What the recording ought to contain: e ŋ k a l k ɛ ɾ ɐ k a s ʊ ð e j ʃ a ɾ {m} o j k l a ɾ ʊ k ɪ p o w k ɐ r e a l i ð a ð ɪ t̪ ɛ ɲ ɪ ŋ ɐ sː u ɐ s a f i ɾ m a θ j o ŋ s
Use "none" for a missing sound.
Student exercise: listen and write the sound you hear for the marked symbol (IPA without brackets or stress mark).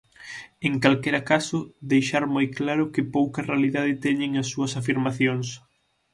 m